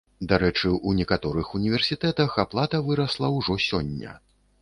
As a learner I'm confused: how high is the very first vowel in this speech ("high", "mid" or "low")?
low